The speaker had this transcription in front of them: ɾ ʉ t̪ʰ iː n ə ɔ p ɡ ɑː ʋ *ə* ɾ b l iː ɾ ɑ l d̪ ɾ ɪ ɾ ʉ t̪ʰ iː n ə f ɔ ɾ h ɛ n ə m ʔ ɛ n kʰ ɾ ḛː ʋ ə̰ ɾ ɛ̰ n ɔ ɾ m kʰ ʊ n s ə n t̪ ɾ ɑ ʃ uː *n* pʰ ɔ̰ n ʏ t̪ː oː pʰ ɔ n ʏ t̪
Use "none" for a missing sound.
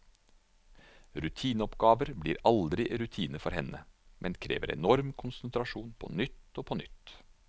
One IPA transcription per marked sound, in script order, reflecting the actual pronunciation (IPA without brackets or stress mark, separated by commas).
ə, n